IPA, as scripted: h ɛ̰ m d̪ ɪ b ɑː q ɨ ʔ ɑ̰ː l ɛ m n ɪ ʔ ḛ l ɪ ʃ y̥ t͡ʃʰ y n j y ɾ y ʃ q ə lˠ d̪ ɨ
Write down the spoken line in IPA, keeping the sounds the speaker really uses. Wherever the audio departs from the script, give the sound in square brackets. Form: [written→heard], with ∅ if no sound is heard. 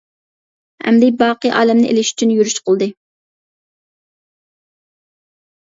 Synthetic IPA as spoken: h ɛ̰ m d̪ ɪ b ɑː q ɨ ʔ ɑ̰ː l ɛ m n ɪ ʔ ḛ l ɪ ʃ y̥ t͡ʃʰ y n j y ɾ y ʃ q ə lˠ d̪ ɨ